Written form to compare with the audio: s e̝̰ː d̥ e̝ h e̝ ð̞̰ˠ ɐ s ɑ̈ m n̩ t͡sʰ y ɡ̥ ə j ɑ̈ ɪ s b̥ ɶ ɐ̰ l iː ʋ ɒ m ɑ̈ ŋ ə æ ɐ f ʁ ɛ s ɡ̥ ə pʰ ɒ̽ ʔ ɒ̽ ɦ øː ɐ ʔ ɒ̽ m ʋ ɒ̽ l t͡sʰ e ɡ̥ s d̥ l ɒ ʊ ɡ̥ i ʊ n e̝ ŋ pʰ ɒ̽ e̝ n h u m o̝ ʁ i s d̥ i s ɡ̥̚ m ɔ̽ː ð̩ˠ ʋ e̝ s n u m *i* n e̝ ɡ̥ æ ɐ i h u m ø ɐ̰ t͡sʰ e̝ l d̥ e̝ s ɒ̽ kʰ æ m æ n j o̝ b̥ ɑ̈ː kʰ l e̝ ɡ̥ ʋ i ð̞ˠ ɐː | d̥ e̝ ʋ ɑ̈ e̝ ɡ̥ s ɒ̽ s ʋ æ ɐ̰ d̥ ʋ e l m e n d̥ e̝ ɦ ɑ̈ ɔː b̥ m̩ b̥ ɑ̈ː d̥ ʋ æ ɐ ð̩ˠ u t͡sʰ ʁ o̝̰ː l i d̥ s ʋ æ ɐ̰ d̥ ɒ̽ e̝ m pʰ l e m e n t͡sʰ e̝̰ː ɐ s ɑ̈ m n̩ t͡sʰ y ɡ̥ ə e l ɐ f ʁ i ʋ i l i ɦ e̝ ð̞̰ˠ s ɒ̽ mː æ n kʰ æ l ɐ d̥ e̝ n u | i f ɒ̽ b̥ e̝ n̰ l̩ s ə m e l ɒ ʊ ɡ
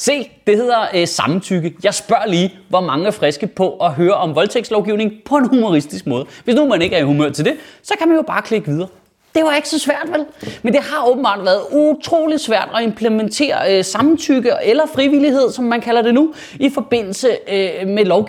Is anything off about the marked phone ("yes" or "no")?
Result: yes